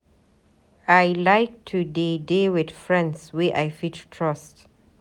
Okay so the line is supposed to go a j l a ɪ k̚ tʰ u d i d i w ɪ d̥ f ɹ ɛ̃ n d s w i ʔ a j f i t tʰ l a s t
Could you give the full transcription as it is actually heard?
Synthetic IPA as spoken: a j l a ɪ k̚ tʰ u d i d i w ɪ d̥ f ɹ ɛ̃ n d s w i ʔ a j f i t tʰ ɹ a s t